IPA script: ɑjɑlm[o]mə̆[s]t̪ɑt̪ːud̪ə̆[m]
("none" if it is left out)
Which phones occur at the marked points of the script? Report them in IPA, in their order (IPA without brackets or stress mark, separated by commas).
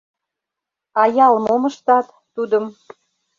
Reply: o, ʃ, m